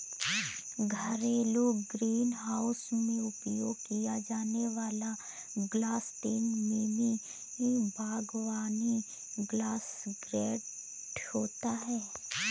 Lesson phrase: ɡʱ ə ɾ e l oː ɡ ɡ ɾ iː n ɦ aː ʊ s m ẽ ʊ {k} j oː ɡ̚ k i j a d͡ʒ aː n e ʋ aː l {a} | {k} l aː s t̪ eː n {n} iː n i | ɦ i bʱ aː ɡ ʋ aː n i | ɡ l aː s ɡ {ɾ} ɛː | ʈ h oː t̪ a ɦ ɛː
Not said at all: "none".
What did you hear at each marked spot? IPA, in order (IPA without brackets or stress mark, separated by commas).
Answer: p, a, ɡ, m, ɾ